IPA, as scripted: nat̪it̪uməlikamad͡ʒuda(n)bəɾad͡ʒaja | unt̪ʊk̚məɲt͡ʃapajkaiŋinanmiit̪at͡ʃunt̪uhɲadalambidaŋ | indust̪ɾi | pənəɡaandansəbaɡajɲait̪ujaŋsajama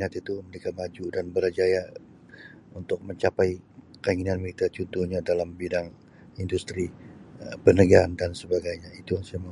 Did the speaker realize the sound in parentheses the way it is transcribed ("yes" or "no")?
yes